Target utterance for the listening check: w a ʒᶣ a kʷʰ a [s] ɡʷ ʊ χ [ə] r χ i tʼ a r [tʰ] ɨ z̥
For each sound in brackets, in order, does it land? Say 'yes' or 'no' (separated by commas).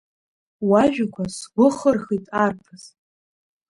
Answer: yes, yes, no